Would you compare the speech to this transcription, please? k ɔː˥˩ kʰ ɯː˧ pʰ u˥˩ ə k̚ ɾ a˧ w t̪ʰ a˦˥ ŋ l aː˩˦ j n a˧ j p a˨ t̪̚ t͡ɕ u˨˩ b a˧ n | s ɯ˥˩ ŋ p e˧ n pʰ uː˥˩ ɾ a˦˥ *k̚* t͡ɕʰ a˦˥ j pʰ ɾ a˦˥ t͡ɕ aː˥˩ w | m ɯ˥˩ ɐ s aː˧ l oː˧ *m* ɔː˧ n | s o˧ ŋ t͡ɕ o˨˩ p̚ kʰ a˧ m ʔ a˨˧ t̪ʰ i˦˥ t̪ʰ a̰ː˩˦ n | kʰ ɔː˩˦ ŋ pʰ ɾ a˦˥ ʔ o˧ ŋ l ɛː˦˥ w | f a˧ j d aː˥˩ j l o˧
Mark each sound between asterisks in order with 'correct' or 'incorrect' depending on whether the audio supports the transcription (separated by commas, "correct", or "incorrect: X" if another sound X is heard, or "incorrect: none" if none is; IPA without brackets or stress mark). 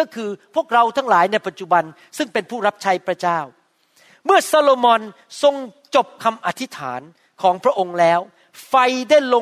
incorrect: p̚, correct